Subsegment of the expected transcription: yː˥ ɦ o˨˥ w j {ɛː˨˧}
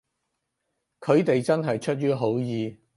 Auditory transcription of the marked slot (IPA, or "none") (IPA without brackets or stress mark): iː˨˧